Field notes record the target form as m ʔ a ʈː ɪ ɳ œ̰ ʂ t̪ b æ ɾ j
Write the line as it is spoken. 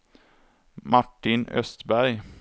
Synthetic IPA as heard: m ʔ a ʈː ɪ n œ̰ s t̪ b æ ɾ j